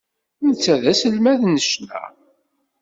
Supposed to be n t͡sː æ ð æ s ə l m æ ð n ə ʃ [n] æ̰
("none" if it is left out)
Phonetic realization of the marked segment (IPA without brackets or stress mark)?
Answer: n